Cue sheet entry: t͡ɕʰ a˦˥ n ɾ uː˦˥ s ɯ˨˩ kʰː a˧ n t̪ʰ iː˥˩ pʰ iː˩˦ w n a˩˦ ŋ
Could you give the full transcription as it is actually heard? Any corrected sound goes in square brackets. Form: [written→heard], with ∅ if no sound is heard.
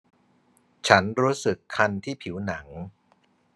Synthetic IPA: t͡ɕʰ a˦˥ n ɾ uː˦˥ s ɯ˨˩ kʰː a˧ n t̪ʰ iː˥˩ pʰ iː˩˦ w n a˩˦ ŋ

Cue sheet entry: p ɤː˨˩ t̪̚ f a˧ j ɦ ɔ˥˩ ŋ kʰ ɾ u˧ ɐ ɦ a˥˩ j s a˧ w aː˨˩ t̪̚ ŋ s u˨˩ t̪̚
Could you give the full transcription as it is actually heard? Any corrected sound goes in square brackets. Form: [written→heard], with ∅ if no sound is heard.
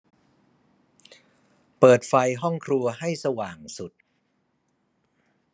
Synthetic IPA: p ɤː˨˩ t̪̚ f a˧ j ɦ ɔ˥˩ ŋ kʰ ɾ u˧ ɐ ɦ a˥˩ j s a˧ w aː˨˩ [t̪̚→∅] ŋ s u˨˩ t̪̚

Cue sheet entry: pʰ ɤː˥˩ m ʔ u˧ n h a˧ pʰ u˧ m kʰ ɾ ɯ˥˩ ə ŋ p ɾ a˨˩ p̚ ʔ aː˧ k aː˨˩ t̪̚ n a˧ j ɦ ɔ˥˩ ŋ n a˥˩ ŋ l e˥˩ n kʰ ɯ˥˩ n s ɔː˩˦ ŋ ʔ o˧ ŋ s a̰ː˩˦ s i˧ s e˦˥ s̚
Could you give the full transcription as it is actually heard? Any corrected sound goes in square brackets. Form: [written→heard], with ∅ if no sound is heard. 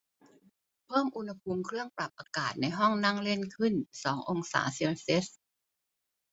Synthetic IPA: pʰ ɤː˥˩ m ʔ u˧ n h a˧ pʰ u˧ m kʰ ɾ ɯ˥˩ ə ŋ p ɾ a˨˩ p̚ ʔ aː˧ k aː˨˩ t̪̚ n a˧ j ɦ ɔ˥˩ ŋ n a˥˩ ŋ l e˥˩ n kʰ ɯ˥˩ n s ɔː˩˦ ŋ ʔ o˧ ŋ s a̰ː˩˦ s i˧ s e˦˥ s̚

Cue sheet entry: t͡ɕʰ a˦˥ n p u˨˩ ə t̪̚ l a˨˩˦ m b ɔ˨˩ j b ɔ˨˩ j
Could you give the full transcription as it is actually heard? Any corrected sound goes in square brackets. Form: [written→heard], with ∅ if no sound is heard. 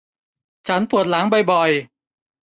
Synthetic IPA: t͡ɕʰ a˦˥ n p u˨˩ ə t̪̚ l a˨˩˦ [m→ŋ] b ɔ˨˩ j b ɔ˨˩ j

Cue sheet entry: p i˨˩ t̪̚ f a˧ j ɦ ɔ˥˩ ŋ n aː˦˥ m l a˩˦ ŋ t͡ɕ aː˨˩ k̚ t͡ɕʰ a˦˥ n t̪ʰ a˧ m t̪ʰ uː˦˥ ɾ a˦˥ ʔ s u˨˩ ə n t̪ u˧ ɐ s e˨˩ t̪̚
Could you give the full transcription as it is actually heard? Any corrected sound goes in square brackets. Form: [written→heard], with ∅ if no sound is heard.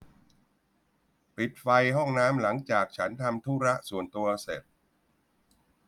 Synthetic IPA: p i˨˩ t̪̚ f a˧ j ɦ ɔ˥˩ ŋ n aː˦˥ m l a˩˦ ŋ t͡ɕ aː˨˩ k̚ t͡ɕʰ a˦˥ n t̪ʰ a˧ m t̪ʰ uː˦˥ ɾ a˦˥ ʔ s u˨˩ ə n t̪ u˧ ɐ s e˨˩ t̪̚

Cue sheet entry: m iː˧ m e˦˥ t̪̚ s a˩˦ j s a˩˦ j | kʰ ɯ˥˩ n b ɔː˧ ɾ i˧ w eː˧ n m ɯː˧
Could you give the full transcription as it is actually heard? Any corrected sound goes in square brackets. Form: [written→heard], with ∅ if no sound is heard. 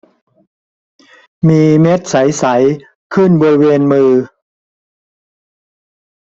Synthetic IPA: m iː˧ m e˦˥ t̪̚ s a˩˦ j s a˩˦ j | kʰ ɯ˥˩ n b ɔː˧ ɾ [i˧→i˦˥] w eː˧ n m ɯː˧

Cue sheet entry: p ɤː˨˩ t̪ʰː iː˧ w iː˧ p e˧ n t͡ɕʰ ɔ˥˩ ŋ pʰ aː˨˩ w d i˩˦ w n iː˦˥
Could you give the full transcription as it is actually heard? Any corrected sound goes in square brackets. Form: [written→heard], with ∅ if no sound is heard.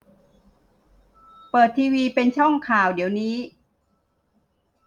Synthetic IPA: p ɤː˨˩ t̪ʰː iː˧ w iː˧ p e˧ n t͡ɕʰ ɔ˥˩ ŋ [pʰ→kʰ] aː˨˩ w d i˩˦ w n iː˦˥

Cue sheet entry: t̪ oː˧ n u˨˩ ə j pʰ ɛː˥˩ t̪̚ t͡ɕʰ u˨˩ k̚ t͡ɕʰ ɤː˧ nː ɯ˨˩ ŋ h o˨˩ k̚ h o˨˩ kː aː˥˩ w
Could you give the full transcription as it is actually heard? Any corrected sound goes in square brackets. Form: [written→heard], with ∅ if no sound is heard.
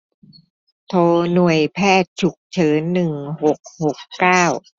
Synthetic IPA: [t̪→t̪ʰ] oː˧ n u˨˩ ə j pʰ ɛː˥˩ t̪̚ t͡ɕʰ u˨˩ k̚ t͡ɕʰ [ɤː˧→ɤː˩˦] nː ɯ˨˩ ŋ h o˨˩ k̚ h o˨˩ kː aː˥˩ w

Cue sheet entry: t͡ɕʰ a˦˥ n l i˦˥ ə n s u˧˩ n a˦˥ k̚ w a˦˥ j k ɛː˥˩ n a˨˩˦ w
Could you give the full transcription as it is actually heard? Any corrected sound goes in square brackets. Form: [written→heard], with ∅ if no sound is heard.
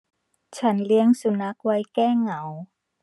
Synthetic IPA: t͡ɕʰ a˦˥ n l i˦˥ ə [n→ŋ] s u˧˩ n a˦˥ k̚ w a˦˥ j k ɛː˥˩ [n→ŋ] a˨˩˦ w

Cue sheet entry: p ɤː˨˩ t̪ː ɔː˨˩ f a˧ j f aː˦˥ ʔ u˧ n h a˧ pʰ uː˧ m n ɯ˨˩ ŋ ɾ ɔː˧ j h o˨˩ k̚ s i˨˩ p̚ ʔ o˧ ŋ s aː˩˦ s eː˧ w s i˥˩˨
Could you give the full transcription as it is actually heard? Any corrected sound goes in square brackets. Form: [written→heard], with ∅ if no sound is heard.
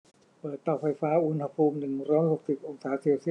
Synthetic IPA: p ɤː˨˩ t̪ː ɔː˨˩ f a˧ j f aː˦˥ ʔ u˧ n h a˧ pʰ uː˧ m n ɯ˨˩ ŋ ɾ [ɔː˧→ɔː˦˥] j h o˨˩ k̚ s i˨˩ p̚ ʔ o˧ ŋ s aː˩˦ s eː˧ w s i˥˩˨

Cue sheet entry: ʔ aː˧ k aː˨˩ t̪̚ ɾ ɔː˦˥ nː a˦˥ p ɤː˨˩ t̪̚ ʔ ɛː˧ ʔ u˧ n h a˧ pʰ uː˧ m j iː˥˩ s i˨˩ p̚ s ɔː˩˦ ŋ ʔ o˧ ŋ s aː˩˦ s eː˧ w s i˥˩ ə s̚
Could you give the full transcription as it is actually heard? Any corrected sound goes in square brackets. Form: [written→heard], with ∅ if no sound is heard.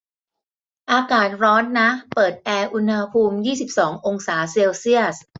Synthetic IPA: ʔ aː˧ k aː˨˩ t̪̚ ɾ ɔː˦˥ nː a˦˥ p ɤː˨˩ t̪̚ ʔ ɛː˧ ʔ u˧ n h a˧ pʰ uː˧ m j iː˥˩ s i˨˩ p̚ s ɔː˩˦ ŋ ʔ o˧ ŋ s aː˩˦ s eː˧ w s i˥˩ ə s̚

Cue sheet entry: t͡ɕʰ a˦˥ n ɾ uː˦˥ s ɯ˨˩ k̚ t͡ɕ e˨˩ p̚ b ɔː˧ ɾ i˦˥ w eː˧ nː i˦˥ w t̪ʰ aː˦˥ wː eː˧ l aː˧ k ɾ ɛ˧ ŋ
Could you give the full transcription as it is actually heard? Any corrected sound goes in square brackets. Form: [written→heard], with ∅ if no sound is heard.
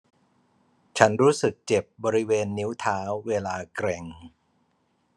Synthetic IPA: t͡ɕʰ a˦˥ n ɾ uː˦˥ s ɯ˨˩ k̚ t͡ɕ e˨˩ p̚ b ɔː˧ ɾ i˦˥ w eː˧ nː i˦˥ w t̪ʰ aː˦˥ wː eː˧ l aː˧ k ɾ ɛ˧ ŋ

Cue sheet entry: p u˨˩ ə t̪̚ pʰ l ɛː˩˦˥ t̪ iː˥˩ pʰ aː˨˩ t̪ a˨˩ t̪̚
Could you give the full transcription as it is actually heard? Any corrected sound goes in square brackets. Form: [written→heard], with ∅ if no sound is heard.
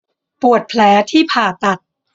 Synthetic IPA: p u˨˩ ə t̪̚ pʰ l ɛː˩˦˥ [t̪→t̪ʰ] iː˥˩ pʰ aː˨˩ t̪ a˨˩ t̪̚

